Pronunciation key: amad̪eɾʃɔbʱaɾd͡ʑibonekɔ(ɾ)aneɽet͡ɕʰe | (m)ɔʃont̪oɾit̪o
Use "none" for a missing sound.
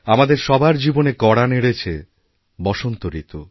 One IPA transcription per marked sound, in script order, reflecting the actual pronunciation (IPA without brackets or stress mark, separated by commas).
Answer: ɽ, b